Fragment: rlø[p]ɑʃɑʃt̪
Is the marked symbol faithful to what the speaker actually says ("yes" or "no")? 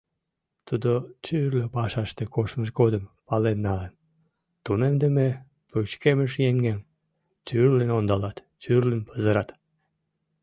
yes